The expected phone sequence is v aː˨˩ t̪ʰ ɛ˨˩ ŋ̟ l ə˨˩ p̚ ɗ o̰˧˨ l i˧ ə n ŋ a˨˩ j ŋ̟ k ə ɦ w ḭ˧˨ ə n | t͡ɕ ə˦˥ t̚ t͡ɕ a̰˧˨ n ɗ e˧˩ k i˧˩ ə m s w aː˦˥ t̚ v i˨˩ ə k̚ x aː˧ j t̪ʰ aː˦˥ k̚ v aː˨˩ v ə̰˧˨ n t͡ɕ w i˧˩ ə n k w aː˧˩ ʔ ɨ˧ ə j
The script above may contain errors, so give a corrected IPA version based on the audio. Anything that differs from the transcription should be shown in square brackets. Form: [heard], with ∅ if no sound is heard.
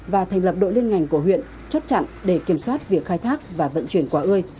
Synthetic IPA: v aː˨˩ t̪ʰ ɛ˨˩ ŋ̟ l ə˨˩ p̚ ɗ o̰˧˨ l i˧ ə n ŋ a˨˩ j ŋ̟ k ə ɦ w ḭ˧˨ ə n | t͡ɕ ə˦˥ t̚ t͡ɕ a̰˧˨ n ɗ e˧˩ k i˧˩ ə m s w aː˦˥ t̚ v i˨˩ ə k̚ x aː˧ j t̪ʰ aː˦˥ k̚ v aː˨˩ v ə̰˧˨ n t͡ɕ w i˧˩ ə n k w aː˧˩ ʔ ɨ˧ ə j